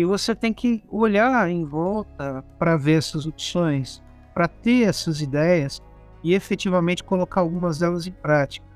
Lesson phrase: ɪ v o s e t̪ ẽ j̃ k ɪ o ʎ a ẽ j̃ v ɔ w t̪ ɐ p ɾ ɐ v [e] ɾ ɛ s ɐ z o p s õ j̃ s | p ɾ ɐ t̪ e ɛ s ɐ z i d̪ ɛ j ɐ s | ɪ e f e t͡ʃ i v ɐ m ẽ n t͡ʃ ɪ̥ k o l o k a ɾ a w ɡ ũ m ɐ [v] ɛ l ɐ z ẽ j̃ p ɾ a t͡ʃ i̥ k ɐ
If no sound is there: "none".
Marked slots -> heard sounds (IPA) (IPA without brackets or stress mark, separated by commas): e, z